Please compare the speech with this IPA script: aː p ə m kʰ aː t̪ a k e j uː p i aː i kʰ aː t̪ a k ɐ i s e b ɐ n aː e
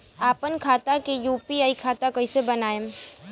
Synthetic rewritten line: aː p ə n kʰ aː t̪ a k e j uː p i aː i kʰ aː t̪ a k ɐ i s e b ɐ n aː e